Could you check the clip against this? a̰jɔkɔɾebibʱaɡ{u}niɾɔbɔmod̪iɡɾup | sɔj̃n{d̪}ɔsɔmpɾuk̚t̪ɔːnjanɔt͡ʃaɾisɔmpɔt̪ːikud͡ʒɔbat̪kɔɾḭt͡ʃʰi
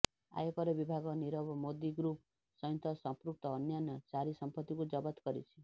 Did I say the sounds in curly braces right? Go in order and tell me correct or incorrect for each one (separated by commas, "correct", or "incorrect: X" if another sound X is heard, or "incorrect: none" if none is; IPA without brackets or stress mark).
incorrect: ɔ, incorrect: t̪